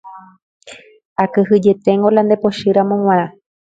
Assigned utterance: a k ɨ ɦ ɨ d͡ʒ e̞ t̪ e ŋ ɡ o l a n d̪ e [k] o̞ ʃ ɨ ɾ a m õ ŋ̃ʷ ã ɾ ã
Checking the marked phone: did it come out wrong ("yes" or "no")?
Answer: yes